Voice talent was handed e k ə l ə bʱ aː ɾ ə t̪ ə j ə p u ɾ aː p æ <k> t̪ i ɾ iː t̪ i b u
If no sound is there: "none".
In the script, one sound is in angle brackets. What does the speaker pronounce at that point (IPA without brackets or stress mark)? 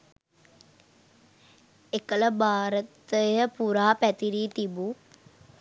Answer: none